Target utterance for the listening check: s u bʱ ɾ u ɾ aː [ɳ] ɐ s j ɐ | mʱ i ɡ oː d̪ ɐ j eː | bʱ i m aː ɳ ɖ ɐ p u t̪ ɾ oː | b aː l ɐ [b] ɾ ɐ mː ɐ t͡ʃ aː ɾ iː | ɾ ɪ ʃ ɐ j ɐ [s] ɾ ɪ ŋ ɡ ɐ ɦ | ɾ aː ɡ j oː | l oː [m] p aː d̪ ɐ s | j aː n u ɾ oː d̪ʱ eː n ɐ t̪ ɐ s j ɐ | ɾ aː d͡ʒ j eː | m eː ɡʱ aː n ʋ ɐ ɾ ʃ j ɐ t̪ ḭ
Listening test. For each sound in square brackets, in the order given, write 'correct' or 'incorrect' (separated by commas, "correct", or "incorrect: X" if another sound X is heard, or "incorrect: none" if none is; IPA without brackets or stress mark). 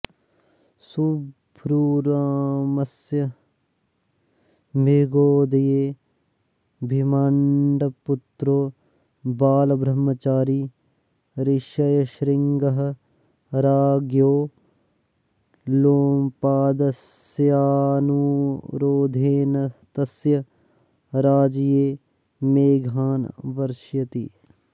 incorrect: m, correct, incorrect: ʃ, correct